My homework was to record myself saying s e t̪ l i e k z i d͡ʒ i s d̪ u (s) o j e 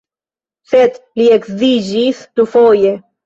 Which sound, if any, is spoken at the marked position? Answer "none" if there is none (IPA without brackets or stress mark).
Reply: f